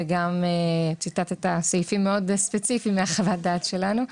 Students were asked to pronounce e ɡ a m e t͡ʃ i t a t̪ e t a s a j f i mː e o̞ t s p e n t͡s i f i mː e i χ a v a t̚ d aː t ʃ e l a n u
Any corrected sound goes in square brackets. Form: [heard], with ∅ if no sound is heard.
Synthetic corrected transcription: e ɡ a m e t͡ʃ i t a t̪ e t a s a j f i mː e o̞ [d] s p e [∅] t͡s i f i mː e [a] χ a v a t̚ d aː t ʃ e l a n u